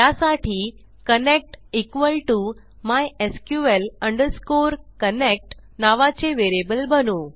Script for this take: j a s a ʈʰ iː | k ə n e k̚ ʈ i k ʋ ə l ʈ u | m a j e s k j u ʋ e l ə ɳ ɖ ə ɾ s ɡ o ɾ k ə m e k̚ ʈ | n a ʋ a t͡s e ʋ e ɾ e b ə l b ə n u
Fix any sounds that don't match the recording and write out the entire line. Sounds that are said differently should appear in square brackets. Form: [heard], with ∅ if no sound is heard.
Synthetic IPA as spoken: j a s a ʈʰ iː | k ə n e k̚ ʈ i k ʋ ə l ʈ u | m a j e s k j u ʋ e l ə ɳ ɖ ə ɾ s [k] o ɾ k ə [n] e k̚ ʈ | n a ʋ a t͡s e ʋ e ɾ e b ə l b ə n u